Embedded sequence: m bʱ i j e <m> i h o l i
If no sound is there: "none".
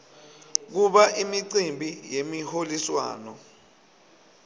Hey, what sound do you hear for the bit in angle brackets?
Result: m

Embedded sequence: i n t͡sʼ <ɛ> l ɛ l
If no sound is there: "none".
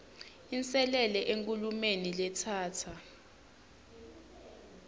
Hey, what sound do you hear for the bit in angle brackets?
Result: ɛ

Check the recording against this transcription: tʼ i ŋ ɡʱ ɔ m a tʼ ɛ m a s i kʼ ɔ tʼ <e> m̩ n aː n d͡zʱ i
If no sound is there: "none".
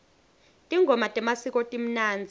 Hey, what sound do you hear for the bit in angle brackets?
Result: i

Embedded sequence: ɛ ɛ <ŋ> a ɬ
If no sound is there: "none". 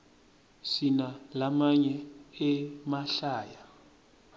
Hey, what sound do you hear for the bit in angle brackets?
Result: m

